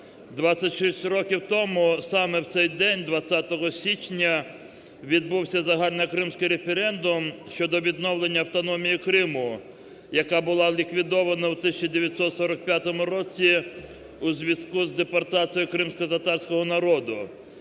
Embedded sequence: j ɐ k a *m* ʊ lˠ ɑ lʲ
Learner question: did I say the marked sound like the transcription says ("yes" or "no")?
no